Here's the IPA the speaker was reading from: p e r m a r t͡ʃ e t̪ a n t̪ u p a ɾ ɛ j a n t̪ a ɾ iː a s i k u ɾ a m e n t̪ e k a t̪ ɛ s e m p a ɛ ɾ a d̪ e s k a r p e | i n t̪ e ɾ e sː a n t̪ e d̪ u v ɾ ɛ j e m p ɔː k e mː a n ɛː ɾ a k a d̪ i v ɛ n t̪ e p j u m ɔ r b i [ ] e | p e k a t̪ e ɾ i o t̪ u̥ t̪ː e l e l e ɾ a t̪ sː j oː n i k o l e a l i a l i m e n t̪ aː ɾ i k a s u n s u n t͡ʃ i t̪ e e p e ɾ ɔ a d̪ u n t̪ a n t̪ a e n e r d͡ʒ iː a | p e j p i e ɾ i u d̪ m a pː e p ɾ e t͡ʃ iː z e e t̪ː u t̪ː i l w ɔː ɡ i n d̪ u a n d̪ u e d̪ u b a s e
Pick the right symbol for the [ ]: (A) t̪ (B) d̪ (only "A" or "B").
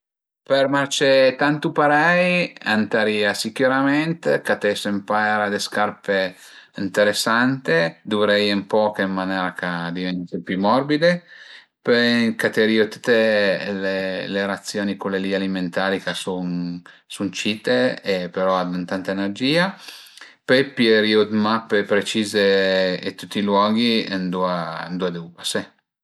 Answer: B